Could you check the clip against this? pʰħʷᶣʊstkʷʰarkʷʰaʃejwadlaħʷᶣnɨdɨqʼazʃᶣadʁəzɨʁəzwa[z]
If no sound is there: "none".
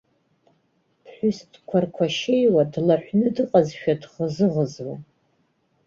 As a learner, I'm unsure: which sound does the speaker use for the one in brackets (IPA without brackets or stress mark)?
none